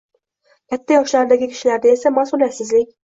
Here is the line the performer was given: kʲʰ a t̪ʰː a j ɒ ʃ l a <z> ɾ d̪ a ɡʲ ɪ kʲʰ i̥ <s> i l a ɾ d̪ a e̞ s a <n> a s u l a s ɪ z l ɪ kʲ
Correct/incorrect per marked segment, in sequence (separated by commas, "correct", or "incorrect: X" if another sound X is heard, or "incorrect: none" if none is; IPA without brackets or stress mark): incorrect: none, incorrect: ʃ, incorrect: m